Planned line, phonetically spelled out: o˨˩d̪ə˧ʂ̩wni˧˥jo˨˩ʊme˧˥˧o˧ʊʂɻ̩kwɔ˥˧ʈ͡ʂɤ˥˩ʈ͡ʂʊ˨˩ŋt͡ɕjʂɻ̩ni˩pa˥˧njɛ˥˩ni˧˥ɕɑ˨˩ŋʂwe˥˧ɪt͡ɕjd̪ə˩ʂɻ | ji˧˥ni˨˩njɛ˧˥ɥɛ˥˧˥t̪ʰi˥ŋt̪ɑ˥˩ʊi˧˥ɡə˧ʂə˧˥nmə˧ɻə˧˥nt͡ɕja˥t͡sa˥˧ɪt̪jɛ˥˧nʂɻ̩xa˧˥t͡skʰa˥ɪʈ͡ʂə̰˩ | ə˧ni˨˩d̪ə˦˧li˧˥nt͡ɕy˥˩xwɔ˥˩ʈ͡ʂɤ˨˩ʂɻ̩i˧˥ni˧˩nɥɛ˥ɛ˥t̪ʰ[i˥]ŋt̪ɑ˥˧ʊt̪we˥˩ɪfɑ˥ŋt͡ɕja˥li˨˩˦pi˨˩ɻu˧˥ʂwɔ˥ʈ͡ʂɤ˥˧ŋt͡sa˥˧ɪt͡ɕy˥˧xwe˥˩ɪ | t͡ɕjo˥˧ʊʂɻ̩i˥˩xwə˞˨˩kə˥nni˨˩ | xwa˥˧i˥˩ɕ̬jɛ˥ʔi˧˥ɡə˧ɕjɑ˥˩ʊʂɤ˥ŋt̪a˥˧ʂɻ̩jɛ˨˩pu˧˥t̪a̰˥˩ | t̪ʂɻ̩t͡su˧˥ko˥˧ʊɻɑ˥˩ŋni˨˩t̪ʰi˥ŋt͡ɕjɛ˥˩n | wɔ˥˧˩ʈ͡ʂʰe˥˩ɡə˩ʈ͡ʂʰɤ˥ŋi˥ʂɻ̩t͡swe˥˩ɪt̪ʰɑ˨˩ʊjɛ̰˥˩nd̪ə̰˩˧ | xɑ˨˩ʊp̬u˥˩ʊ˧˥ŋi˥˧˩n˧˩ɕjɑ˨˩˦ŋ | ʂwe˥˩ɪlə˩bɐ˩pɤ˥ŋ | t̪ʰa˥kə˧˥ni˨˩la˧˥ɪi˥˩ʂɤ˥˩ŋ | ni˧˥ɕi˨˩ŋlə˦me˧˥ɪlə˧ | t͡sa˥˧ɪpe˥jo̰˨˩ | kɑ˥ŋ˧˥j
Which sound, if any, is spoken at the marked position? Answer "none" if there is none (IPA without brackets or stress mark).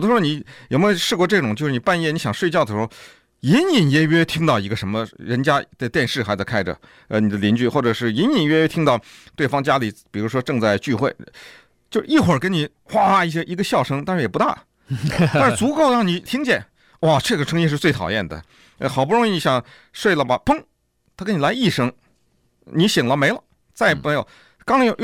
i˥